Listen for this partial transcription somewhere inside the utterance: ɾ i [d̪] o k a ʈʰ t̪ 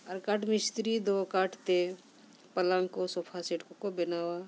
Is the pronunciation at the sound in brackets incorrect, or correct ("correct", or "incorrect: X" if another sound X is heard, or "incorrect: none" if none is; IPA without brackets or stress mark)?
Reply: correct